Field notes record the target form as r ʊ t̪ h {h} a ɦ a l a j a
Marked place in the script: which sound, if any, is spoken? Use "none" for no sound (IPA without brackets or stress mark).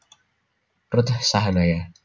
s